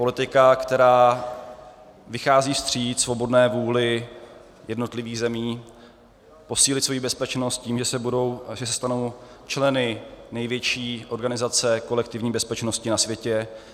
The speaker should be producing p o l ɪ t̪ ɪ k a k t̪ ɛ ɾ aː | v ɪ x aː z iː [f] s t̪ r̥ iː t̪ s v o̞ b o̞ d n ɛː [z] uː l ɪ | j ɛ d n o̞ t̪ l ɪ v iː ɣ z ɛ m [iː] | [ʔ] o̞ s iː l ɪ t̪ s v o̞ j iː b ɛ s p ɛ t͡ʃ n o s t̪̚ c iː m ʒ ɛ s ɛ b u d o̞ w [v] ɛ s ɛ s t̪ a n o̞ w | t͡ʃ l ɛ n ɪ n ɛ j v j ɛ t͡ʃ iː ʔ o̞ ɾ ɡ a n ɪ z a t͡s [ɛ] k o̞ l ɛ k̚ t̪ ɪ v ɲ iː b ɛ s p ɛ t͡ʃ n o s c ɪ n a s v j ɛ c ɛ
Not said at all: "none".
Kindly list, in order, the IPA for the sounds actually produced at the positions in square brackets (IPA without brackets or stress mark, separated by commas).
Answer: f, v, iː, p, ʒ, ɛ